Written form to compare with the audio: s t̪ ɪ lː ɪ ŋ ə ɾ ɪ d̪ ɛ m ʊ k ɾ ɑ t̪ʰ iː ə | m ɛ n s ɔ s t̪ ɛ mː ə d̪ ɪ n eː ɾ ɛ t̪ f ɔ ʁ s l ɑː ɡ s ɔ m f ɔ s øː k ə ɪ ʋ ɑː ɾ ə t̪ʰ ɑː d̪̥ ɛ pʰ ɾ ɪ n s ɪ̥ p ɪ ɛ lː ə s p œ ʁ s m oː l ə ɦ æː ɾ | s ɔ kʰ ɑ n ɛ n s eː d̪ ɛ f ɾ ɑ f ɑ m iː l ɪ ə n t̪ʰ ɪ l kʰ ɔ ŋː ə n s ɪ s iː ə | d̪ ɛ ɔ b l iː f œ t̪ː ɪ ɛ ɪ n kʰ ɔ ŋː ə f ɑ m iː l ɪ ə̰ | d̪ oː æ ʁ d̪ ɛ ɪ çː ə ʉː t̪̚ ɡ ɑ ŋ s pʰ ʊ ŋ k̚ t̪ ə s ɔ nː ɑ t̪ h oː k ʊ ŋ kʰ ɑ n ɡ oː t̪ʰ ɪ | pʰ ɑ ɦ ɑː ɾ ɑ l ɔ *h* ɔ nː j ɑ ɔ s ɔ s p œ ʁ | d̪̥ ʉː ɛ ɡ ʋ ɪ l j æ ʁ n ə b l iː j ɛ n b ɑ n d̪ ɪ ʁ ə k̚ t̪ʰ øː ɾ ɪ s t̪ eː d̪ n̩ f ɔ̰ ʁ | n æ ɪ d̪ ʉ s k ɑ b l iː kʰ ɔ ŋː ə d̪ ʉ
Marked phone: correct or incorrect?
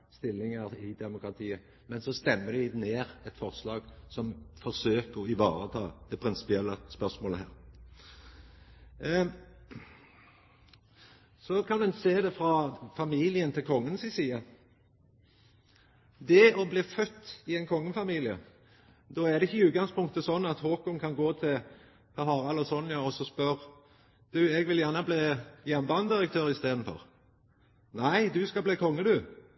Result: incorrect